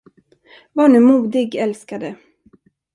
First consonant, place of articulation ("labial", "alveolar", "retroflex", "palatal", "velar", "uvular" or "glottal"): labial